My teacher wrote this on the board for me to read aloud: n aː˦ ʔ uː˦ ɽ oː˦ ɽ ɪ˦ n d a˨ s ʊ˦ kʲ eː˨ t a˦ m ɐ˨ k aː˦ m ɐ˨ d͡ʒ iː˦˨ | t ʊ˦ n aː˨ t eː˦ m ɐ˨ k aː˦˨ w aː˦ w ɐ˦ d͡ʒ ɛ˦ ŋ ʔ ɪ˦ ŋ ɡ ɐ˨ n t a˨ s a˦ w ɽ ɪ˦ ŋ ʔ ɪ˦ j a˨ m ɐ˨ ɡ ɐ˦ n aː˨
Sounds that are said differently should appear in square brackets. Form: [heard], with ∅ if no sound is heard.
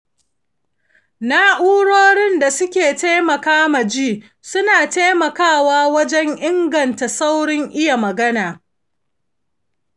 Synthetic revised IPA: n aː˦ ʔ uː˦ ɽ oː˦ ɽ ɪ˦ n d a˨ s ʊ˦ kʲ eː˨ t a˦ m ɐ˨ k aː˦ m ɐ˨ d͡ʒ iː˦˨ | [s] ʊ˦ n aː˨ t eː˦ m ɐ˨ k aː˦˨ w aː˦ w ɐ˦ d͡ʒ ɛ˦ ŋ ʔ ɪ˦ ŋ ɡ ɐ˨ n t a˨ s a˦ w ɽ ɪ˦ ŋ ʔ ɪ˦ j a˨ m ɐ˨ ɡ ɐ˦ n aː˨

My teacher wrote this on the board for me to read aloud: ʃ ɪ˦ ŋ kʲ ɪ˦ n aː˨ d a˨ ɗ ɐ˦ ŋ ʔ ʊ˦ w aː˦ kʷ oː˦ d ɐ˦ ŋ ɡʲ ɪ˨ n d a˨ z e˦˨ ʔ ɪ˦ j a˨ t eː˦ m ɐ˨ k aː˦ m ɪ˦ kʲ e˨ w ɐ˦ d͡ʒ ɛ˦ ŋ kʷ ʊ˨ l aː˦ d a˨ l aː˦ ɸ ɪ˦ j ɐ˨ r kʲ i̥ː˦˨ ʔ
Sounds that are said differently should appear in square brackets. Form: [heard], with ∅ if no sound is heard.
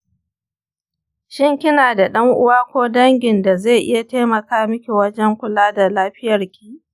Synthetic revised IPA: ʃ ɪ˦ ŋ kʲ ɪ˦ n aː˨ d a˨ ɗ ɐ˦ ŋ ʔ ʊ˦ w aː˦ kʷ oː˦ d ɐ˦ ŋ ɡʲ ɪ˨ n d a˨ z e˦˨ ʔ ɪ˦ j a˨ t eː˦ m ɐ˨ k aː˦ m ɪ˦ kʲ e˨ w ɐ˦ d͡ʒ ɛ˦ ŋ kʷ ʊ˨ l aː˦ d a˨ l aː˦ ɸ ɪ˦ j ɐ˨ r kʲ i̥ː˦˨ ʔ

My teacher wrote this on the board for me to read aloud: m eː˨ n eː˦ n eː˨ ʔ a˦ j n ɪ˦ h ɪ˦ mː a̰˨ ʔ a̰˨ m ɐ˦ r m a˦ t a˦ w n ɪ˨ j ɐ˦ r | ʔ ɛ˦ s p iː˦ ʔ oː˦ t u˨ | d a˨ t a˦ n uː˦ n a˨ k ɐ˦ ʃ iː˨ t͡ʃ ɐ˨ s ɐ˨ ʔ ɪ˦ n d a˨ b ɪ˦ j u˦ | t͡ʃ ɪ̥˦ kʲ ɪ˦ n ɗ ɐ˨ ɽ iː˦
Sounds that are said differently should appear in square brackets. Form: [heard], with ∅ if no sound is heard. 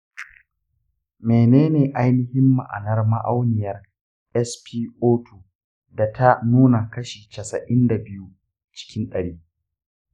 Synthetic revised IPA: m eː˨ n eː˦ n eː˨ ʔ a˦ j n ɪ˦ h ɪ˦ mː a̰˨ ʔ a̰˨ [n] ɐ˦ r m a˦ [ʔ] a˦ w n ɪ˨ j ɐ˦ r | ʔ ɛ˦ s p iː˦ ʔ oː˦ t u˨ | d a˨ t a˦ n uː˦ n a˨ k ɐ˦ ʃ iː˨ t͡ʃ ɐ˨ s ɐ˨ ʔ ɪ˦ n d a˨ b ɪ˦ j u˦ | t͡ʃ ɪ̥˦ kʲ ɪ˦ n ɗ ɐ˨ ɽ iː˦

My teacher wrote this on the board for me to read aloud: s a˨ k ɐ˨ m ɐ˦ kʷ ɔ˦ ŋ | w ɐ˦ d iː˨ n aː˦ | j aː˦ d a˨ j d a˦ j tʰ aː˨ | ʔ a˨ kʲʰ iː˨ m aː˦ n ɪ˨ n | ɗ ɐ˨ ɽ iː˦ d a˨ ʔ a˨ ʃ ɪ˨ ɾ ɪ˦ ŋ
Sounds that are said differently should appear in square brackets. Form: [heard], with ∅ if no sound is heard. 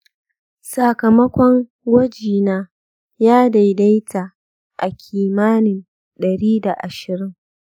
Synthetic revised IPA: s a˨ k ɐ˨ m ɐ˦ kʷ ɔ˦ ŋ | w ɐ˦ [d͡ʒ] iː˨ n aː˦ | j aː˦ d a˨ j d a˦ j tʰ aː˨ | ʔ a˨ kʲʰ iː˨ m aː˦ n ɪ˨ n | ɗ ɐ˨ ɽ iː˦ d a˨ ʔ a˨ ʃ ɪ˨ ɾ ɪ˦ ŋ

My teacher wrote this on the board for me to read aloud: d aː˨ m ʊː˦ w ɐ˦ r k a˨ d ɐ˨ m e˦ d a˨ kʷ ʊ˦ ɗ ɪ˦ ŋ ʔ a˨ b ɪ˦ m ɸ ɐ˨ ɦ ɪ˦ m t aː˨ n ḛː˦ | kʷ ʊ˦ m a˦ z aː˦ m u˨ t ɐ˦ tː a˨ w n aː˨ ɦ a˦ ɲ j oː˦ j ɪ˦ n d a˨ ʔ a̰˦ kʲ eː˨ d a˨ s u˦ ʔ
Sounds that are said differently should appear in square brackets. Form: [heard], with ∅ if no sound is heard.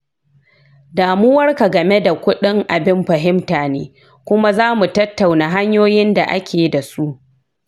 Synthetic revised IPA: d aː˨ m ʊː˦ w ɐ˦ r k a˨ [ɡ] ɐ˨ m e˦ d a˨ kʷ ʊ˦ ɗ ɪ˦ ŋ ʔ a˨ b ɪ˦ m ɸ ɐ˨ ɦ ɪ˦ m t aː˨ n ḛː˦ | kʷ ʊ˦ m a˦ z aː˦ m u˨ t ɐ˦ tː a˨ w n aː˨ ɦ a˦ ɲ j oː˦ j ɪ˦ n d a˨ ʔ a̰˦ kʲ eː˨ d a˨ s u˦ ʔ

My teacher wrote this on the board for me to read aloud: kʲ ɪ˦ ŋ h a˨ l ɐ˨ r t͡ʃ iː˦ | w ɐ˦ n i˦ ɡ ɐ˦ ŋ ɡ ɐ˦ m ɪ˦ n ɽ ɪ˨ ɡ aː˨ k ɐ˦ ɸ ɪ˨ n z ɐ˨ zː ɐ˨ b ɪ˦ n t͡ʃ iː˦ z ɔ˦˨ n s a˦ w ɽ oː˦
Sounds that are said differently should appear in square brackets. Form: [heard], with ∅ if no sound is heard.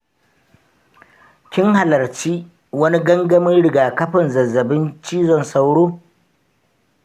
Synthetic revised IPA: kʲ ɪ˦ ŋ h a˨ l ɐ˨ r t͡ʃ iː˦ | w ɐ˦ n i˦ ɡ ɐ˦ ŋ ɡ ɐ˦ m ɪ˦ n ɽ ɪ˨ ɡ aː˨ k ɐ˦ ɸ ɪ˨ n z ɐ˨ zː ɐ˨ b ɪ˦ n t͡ʃ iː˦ z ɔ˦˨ n s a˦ w ɽ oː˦

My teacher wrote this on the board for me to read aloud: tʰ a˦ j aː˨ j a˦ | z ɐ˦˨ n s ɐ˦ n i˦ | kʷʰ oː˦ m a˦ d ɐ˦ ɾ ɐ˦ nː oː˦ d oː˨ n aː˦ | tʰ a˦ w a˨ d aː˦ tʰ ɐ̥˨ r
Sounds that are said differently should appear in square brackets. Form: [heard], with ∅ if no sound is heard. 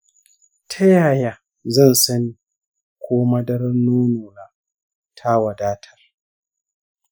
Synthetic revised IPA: tʰ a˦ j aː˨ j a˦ | z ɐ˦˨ n s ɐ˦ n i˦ | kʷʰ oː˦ m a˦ d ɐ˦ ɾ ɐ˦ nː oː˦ [n] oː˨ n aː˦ | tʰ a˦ w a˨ d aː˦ tʰ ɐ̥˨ r

